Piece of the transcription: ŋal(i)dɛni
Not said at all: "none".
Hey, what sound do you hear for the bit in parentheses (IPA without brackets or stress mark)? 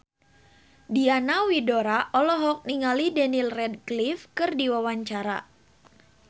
i